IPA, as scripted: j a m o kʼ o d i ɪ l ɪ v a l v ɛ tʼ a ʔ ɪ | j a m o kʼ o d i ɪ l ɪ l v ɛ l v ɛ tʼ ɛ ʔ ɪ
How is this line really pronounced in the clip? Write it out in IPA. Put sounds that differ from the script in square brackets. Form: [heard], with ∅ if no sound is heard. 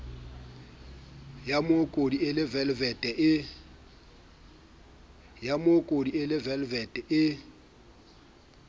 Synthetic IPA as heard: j a m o kʼ o d i ɪ l ɪ v [ɛ] l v ɛ tʼ [ɛ] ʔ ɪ | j a m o kʼ o d i ɪ l ɪ [∅] v ɛ l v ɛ tʼ ɛ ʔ ɪ